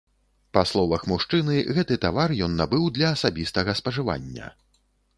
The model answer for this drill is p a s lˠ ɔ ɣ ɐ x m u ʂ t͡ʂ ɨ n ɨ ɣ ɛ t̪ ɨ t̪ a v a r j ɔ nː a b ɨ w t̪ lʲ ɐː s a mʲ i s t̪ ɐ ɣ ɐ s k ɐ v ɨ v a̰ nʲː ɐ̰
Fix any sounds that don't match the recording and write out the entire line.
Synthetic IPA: p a s lˠ ɔ v ɐ x m u ʂ t͡ʂ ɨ n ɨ ɣ ɛ t̪ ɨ t̪ a v a r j ɔ nː a b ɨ w d̪ lʲ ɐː s a bʲ i s t̪ ɐ ɣ ɐ s p ɐ ʐ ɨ v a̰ nʲː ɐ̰